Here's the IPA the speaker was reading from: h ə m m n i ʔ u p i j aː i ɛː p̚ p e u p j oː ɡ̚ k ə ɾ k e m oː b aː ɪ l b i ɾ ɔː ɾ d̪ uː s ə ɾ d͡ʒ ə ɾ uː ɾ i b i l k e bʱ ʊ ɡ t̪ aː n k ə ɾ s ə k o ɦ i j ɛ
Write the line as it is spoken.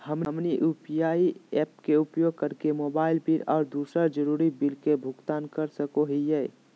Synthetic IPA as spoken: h ə m m n i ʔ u p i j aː i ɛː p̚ k e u p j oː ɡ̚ k ə ɾ k e m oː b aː ɪ l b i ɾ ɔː ɾ d̪ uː s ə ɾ d͡ʒ ə ɾ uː ɾ i b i l k e bʱ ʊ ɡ t̪ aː n k ə ɾ s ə k o ɦ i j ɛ